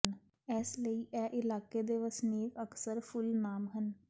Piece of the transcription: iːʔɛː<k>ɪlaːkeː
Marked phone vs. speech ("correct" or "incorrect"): incorrect